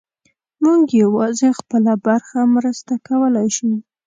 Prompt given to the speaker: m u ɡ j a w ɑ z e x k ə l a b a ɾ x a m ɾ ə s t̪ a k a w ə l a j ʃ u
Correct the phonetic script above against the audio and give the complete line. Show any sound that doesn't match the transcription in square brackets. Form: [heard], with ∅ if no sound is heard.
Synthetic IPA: m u ɡ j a w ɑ z e x [p] ə l a b a ɾ x a m ɾ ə s t̪ a k a w ə l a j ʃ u